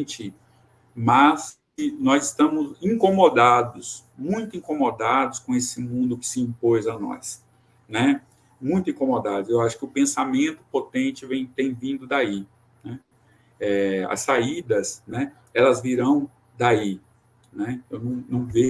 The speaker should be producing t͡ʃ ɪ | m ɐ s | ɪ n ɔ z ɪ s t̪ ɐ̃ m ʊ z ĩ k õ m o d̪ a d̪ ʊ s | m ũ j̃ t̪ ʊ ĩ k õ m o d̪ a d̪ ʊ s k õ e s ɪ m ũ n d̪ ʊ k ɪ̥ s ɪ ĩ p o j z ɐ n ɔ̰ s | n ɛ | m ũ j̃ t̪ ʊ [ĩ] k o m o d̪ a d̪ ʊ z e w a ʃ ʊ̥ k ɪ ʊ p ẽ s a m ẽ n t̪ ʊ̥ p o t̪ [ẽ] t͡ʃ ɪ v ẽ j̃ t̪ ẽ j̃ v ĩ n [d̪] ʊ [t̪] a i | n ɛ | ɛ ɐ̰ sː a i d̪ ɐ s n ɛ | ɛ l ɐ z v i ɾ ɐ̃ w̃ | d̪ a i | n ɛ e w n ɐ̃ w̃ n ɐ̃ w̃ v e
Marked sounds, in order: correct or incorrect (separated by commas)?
correct, correct, correct, incorrect